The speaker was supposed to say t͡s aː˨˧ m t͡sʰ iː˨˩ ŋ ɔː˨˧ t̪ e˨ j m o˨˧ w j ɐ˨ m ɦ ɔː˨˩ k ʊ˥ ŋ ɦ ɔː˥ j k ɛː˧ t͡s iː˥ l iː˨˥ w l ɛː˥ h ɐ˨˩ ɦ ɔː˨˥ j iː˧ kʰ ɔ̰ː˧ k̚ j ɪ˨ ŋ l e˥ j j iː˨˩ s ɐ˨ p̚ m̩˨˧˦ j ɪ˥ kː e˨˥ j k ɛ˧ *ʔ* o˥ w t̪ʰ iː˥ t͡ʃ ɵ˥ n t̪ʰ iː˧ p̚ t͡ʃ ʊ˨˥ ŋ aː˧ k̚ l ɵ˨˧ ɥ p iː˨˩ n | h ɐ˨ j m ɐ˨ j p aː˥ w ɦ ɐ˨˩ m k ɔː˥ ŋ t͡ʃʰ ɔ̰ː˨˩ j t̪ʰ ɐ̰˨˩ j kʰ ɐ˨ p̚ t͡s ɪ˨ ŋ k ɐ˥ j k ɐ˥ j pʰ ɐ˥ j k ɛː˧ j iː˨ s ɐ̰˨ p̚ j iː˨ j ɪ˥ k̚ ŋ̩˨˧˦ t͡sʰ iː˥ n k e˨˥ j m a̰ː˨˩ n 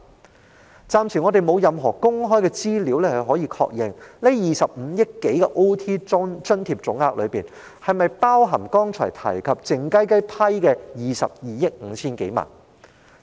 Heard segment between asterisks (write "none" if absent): ʔ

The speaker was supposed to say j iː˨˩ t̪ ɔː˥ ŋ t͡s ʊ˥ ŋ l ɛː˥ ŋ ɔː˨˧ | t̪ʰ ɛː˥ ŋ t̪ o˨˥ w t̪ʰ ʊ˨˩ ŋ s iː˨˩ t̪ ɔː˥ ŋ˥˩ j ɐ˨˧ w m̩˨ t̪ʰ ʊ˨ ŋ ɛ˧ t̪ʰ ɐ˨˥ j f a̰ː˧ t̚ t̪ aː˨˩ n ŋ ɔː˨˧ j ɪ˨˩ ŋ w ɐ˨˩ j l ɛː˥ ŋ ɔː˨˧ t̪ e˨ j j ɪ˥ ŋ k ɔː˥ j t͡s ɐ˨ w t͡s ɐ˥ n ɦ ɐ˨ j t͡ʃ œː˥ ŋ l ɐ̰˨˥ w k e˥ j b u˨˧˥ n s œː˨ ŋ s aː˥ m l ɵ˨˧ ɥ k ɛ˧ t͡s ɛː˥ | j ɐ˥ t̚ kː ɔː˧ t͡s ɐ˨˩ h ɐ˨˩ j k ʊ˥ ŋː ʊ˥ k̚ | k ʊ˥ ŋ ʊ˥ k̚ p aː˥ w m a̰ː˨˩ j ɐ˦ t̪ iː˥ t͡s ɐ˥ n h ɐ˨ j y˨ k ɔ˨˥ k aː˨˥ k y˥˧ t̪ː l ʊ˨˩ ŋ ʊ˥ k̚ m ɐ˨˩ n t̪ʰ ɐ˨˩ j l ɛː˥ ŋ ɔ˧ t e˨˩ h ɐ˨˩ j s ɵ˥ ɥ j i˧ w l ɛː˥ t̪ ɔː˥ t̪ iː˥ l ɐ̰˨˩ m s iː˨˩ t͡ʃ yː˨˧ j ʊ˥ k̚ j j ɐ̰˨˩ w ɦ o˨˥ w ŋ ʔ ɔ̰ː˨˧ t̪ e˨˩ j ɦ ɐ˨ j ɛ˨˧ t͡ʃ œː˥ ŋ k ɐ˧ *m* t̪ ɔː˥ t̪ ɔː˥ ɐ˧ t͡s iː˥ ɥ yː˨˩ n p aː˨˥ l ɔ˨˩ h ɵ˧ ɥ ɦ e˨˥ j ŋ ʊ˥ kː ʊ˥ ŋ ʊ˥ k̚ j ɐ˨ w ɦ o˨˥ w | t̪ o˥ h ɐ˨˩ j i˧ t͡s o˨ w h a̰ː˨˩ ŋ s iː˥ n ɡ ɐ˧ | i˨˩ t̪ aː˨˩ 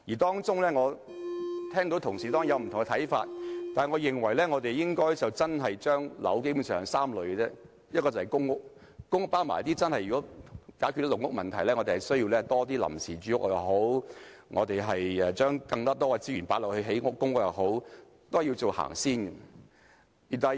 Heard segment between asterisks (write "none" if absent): ŋ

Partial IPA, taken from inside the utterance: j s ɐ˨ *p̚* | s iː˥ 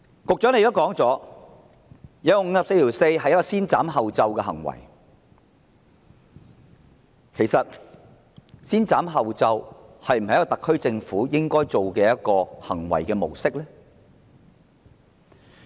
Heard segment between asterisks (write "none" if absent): t̚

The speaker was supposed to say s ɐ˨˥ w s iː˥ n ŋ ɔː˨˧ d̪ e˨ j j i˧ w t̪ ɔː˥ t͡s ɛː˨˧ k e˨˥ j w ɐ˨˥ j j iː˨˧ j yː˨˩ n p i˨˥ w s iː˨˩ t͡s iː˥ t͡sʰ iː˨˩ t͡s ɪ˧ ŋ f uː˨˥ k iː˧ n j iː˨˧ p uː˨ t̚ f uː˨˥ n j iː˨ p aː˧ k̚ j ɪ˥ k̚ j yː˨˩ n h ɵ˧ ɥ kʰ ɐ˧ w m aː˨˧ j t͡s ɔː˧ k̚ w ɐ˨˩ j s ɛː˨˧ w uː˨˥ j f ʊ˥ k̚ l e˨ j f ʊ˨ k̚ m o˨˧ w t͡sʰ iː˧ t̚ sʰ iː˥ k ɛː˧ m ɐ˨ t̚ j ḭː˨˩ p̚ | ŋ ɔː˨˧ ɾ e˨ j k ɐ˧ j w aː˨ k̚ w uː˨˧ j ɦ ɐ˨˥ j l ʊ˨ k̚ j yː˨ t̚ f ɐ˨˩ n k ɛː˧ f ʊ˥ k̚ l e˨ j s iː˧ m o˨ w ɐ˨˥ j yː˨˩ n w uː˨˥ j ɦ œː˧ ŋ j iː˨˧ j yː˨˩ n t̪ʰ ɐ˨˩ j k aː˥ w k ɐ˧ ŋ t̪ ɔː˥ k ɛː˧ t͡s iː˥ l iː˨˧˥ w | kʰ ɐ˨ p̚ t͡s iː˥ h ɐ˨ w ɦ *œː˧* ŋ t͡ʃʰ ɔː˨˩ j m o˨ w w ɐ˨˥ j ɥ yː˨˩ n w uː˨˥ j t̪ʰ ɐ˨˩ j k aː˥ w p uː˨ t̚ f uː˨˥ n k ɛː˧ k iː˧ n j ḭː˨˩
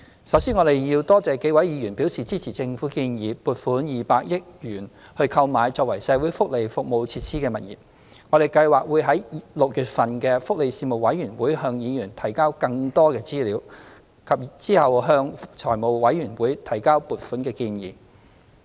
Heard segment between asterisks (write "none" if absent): œː˧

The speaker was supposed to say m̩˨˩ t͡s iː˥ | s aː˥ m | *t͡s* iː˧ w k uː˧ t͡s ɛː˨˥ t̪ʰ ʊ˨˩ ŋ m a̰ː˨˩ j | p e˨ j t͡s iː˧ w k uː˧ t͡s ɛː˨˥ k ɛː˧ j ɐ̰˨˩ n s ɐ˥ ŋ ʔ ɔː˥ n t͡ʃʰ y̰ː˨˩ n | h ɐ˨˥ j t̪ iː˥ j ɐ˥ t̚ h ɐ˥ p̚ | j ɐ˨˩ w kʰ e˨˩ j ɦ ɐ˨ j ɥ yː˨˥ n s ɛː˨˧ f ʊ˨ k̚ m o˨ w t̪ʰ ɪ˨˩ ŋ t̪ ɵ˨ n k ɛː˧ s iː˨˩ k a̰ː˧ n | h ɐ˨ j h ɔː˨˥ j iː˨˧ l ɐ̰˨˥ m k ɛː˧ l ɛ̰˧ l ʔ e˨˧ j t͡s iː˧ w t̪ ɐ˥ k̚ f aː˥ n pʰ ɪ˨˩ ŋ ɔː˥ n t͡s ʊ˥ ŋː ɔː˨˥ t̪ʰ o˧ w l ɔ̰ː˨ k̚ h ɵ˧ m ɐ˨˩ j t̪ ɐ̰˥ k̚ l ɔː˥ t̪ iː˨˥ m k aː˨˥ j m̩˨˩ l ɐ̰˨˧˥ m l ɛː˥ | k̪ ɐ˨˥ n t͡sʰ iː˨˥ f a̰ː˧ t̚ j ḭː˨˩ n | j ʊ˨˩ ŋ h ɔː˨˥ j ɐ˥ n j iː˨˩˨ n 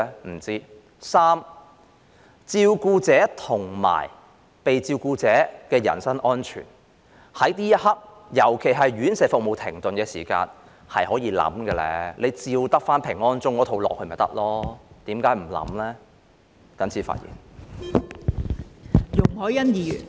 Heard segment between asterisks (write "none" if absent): t͡s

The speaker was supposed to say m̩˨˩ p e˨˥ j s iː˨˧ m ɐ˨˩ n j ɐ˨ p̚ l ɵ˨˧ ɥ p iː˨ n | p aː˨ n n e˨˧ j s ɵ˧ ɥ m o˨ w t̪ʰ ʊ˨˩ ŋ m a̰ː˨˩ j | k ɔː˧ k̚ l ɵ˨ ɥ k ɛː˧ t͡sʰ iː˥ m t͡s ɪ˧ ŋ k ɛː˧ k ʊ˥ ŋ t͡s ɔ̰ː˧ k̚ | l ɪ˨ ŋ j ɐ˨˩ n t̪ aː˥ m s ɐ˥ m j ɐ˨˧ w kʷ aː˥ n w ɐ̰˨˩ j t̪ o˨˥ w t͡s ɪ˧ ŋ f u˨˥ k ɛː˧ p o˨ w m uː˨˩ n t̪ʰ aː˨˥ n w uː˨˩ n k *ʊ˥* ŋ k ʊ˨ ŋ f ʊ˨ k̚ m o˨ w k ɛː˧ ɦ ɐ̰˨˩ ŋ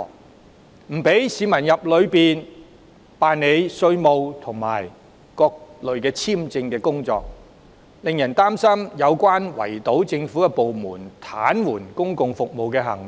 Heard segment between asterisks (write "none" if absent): ʊ˥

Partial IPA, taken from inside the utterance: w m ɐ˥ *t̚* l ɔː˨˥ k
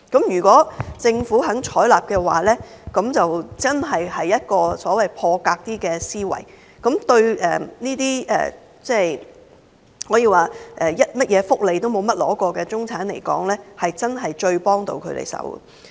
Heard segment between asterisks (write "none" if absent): t̚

